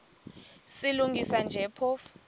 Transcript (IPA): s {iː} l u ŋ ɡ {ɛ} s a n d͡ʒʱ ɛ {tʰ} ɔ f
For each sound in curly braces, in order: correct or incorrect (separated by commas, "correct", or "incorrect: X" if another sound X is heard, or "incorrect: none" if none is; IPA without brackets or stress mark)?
incorrect: i, incorrect: i, incorrect: pʰ